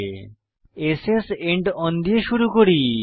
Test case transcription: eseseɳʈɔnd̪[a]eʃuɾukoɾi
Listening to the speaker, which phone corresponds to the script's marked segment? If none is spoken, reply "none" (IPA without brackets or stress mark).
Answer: i